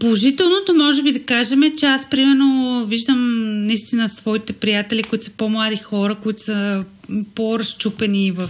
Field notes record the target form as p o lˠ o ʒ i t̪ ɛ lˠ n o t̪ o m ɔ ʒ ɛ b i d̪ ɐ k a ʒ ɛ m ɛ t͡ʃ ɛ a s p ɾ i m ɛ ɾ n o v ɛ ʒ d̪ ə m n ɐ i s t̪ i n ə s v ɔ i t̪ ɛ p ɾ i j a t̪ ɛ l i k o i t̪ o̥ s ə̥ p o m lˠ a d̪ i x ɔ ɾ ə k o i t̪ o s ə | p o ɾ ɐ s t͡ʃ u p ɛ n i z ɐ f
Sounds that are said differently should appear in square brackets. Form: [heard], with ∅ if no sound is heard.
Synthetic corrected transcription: p o lˠ o ʒ i t̪ ɛ lˠ n o t̪ o m ɔ ʒ ɛ b i d̪ ɐ k a ʒ ɛ m ɛ t͡ʃ ɛ a s p ɾ i m ɛ ɾ n o v [i] ʒ d̪ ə m n ɐ i s t̪ i n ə s v ɔ i t̪ ɛ p ɾ i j a t̪ ɛ l i k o i t̪ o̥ s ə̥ p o m lˠ a d̪ i x ɔ ɾ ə k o i t̪ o s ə | p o ɾ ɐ s t͡ʃ u p ɛ n i [v] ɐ f